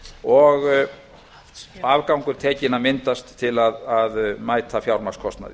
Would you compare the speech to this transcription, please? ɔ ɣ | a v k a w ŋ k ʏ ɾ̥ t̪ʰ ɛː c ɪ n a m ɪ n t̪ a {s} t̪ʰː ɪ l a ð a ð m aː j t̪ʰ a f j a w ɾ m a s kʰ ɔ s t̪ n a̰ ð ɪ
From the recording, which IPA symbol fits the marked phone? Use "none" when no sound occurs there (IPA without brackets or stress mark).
s